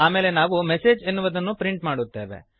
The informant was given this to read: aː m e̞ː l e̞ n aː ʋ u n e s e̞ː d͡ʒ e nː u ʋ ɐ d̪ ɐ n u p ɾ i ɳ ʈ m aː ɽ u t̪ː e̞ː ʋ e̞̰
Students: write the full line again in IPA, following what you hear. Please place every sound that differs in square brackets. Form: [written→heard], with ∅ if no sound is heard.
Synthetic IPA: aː m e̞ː l e̞ n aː ʋ u [n→m] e s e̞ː d͡ʒ e nː u ʋ ɐ d̪ ɐ [n→nː] u p ɾ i ɳ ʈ m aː ɽ u t̪ː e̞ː ʋ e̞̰